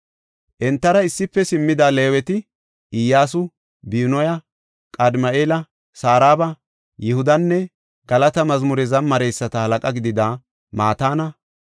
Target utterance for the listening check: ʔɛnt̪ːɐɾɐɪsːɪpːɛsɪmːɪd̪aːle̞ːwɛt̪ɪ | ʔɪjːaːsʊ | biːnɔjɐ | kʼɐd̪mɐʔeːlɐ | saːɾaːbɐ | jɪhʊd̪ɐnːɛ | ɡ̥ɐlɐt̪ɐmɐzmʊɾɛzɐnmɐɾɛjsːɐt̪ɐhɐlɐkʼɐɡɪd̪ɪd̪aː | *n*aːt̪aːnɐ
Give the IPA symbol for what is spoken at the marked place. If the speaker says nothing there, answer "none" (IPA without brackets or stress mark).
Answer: m